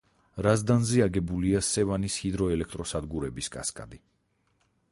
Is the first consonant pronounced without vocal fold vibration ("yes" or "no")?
no